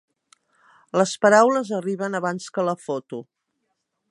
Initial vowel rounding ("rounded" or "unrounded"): unrounded